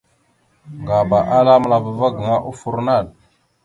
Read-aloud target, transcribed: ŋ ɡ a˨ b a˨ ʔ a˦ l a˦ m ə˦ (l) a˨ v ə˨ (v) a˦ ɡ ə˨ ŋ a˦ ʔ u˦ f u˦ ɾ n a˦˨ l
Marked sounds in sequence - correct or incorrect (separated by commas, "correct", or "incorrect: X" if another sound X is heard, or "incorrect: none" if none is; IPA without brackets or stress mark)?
correct, correct